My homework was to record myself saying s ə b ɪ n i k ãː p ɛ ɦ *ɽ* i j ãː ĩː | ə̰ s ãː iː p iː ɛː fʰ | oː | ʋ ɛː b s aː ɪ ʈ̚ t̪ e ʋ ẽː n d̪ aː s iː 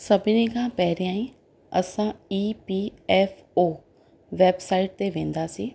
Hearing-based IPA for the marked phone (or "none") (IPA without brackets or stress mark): ɾ